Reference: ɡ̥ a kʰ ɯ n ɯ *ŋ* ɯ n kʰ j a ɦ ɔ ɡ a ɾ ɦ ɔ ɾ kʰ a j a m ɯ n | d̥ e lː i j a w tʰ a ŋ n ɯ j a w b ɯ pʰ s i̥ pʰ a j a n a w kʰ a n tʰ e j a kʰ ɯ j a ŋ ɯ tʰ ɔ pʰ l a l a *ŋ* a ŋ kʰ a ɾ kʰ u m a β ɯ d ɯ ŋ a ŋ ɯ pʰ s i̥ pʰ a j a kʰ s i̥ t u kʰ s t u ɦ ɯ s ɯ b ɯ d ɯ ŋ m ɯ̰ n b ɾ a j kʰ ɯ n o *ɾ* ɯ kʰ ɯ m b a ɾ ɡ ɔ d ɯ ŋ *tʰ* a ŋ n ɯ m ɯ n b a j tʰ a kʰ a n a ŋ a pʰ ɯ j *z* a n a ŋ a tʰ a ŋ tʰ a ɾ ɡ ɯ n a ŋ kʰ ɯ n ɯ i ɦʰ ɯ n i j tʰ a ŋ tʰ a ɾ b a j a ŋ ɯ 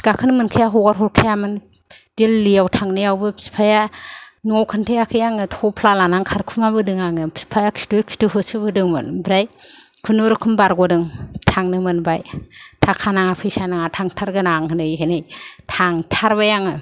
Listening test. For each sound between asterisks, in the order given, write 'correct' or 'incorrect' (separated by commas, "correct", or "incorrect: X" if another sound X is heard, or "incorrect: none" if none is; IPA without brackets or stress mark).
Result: incorrect: m, incorrect: n, correct, correct, incorrect: s